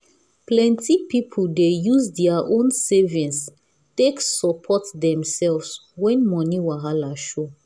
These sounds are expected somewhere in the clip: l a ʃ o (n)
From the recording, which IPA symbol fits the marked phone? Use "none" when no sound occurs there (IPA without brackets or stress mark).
none